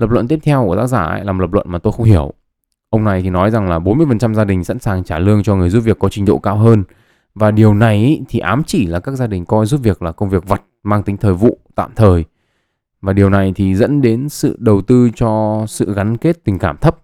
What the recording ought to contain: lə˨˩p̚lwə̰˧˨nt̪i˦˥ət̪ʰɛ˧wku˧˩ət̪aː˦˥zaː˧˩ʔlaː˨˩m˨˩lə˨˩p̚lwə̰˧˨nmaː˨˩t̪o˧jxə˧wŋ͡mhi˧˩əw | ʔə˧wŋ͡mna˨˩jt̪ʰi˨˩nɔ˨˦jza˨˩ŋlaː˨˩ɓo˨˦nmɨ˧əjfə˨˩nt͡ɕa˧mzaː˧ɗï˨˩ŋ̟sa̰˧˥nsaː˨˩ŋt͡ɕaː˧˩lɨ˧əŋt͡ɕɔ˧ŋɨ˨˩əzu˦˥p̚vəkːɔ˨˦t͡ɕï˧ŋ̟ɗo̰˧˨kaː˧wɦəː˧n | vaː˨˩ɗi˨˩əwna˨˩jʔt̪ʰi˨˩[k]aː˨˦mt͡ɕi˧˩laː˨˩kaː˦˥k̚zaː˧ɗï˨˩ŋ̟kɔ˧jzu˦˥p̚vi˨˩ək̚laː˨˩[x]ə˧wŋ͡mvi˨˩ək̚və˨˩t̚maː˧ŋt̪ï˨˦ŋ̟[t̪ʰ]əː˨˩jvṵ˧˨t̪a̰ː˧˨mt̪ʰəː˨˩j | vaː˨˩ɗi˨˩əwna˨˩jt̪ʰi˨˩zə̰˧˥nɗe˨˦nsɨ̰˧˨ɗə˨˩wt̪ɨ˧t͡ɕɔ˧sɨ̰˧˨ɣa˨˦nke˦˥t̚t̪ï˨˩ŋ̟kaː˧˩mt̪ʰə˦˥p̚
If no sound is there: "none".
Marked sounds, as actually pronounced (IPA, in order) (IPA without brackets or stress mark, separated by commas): ʔ, k, t̪ʰ